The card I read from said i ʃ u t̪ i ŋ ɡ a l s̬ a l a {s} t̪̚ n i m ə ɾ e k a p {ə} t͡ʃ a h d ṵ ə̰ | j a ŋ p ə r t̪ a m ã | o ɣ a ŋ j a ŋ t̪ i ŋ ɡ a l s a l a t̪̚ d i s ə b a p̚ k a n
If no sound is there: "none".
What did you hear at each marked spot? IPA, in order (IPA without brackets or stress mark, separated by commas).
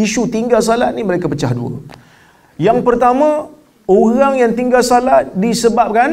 none, ə